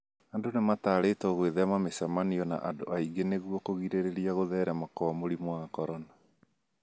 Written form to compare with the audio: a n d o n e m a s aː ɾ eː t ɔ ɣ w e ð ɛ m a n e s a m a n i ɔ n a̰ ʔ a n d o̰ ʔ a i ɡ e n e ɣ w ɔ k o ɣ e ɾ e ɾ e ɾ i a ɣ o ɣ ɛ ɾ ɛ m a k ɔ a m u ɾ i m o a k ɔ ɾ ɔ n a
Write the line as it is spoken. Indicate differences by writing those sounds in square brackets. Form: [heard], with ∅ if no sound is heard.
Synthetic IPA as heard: a n d o n e m a [t] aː ɾ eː t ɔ ɣ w e ð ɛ m a [m] e s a m a n i ɔ n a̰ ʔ a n d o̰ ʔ a i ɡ e n e ɣ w ɔ k o ɣ [i] ɾ e ɾ e ɾ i a ɣ o [ð] ɛ ɾ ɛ m a k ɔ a m [o] ɾ i m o a k ɔ ɾ ɔ n a